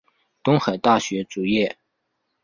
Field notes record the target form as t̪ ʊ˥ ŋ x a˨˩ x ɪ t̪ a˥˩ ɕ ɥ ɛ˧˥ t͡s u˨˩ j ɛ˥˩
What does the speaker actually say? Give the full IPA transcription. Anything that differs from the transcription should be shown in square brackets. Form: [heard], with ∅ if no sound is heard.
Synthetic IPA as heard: t̪ ʊ˥ ŋ x a˨˩ [∅] ɪ t̪ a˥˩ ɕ ɥ ɛ˧˥ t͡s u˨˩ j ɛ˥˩